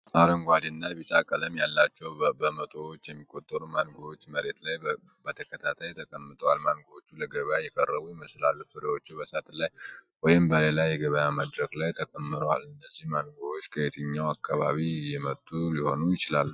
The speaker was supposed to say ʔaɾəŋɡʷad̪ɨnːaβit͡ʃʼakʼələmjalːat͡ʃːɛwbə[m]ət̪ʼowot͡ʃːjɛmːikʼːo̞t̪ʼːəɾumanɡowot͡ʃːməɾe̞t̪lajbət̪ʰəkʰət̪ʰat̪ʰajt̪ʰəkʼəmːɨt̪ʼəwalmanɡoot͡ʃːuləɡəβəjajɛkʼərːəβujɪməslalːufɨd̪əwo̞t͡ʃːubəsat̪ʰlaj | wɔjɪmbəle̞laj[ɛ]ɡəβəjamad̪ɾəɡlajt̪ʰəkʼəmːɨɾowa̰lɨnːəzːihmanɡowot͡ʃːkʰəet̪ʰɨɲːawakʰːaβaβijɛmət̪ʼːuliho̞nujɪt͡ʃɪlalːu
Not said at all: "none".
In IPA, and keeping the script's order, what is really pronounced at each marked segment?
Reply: m, ɛ

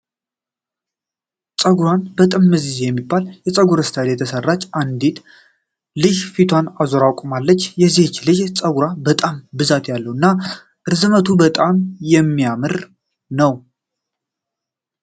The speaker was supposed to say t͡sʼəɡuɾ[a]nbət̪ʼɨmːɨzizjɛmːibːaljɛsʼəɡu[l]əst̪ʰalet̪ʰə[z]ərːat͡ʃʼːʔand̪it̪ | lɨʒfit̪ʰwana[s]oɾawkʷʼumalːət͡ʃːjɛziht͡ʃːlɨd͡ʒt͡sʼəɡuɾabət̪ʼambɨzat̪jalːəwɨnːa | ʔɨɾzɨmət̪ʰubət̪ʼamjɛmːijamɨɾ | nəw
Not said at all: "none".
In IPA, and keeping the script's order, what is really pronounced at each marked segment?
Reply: a, ɾ, s, z

